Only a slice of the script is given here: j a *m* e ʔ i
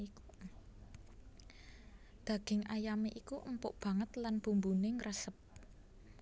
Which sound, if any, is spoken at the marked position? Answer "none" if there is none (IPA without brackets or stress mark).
m